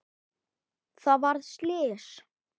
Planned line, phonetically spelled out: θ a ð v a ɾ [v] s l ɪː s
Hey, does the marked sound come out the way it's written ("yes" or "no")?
no